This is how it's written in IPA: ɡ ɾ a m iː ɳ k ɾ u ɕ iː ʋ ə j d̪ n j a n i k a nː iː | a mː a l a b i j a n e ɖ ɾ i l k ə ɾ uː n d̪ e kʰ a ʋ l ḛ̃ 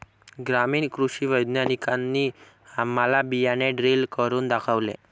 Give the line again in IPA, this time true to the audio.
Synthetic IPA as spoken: ɡ ɾ a m iː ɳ k ɾ u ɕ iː ʋ ə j d̪ n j a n i k a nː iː | a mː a l a b i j a n e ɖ ɾ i l k ə ɾ uː n d̪ a kʰ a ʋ l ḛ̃